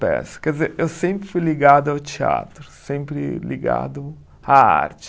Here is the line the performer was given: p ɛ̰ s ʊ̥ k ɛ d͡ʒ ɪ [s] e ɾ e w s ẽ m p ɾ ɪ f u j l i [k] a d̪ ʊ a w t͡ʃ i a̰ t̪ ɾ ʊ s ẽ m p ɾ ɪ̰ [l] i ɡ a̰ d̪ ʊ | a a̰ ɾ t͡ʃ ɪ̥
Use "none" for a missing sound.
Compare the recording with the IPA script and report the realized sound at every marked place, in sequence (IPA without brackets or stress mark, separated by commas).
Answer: z, ɡ, l